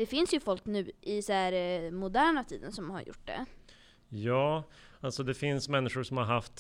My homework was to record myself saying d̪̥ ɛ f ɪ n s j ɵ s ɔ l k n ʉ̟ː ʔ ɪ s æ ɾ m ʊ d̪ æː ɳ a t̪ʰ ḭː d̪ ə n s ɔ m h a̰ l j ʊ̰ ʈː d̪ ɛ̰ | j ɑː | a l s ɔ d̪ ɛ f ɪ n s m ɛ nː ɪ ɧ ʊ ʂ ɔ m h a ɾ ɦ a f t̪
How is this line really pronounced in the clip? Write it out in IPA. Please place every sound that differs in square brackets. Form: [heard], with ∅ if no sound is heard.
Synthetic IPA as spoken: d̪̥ ɛ f ɪ n s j ɵ [f] ɔ l k n ʉ̟ː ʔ ɪ s æ ɾ m ʊ d̪ æː ɳ a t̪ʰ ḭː d̪ ə n s ɔ m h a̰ [ɾ] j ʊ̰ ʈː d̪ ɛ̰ | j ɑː | a l s ɔ d̪ ɛ f ɪ n s m ɛ nː ɪ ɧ ʊ ʂ ɔ m h a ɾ ɦ a f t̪